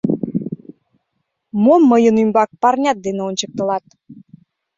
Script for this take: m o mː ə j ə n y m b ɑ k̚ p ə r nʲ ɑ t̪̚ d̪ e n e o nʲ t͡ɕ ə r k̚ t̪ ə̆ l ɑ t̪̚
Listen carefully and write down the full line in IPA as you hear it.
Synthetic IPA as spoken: m o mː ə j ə n y m b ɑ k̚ p ɑ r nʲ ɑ t̪̚ d̪ e n e o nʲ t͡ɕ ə k̚ t̪ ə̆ l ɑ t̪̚